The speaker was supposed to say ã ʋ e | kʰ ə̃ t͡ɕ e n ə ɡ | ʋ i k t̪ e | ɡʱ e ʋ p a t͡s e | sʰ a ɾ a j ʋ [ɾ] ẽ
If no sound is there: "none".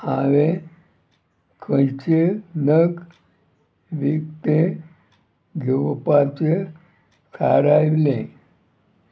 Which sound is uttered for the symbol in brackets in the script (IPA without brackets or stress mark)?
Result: l